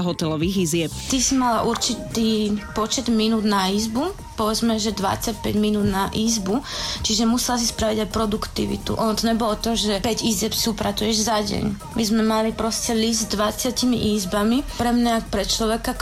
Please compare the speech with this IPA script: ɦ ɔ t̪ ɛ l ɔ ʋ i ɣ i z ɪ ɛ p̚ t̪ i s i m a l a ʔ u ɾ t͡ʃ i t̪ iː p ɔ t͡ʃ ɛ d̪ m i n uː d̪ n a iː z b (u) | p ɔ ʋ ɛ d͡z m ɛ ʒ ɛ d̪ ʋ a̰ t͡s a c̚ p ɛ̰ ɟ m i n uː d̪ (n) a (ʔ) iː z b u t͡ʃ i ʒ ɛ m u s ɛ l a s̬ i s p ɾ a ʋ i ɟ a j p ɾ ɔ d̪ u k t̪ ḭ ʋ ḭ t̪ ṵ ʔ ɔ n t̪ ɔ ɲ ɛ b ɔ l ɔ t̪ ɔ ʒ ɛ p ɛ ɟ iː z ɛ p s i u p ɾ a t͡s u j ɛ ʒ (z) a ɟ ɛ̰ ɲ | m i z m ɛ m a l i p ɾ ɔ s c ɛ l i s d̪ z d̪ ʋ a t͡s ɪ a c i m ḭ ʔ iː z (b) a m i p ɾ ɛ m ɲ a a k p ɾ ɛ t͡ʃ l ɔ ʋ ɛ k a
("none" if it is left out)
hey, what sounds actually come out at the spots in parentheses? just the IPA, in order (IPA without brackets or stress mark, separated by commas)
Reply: u, n, ʔ, z, b